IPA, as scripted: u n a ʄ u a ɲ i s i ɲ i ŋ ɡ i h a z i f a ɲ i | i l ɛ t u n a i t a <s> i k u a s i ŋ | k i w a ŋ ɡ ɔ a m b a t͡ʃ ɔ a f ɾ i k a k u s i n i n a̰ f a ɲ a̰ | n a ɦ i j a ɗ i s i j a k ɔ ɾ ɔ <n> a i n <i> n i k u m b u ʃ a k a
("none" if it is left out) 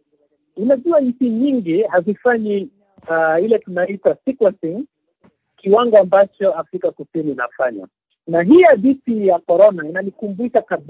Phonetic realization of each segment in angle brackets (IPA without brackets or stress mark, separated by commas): s, n, a